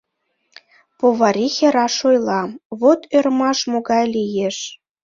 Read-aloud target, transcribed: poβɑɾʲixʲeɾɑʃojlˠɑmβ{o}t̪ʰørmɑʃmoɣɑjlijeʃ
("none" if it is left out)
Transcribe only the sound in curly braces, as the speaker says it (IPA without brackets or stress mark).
o